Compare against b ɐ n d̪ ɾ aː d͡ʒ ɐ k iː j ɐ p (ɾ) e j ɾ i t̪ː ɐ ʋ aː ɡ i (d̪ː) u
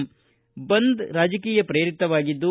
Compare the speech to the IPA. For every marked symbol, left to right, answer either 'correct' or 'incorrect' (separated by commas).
correct, correct